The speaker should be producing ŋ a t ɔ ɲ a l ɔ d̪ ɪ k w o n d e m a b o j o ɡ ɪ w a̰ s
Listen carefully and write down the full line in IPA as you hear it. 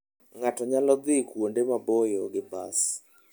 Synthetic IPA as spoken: ŋ a t ɔ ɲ a l ɔ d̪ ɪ k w o n d e m a b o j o ɡ ɪ b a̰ s